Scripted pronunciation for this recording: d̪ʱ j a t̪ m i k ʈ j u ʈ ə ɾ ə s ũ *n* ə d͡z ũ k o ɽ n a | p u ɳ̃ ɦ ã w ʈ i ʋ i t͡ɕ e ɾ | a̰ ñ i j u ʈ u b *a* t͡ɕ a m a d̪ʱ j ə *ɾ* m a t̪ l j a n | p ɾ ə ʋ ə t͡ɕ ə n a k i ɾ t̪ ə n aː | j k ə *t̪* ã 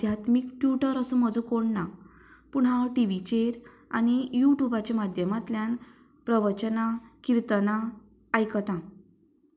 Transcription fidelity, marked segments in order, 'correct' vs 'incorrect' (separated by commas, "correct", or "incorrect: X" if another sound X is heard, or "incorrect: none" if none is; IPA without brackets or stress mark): incorrect: m, correct, incorrect: none, correct